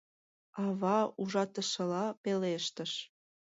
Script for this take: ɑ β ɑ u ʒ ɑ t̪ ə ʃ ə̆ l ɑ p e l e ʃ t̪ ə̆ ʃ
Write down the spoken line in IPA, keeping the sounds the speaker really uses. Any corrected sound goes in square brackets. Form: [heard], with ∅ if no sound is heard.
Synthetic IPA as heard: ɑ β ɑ u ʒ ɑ t̪ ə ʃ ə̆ l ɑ p e l e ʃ t̪ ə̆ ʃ